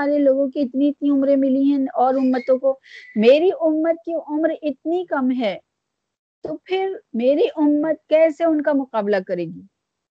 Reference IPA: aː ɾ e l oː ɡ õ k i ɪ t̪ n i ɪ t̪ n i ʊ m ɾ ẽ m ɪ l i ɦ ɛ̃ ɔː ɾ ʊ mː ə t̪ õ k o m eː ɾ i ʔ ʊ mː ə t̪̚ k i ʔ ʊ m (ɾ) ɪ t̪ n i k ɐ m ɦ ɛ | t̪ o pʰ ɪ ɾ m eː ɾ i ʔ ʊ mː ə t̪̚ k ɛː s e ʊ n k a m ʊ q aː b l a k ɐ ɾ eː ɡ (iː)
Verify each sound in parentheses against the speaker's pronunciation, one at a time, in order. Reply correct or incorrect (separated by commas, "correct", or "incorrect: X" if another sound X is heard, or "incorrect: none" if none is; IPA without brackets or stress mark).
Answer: correct, correct